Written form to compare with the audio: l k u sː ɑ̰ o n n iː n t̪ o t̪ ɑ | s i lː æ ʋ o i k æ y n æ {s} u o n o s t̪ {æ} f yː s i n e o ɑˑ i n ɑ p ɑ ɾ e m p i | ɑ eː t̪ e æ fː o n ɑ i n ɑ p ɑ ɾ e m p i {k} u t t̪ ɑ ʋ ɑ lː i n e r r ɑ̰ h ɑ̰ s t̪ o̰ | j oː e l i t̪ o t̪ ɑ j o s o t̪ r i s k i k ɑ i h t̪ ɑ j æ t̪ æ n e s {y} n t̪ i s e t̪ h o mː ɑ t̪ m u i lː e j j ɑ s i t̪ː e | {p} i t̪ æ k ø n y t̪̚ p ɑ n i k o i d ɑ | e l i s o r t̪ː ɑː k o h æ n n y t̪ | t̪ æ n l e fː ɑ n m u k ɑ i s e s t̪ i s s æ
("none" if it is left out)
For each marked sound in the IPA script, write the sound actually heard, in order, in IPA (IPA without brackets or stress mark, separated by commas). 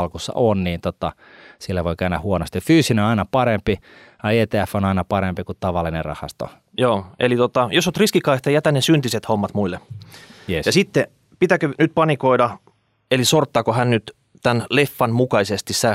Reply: h, i, k, y, p